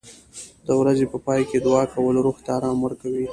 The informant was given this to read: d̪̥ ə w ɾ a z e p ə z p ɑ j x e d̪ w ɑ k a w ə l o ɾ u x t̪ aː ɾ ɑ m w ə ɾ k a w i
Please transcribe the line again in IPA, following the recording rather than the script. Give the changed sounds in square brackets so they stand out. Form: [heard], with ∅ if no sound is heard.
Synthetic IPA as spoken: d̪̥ ə w ɾ a z e p ə [∅] p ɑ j [k] e d̪ w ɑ k a w ə l o ɾ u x t̪ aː ɾ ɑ m w ə ɾ k a w i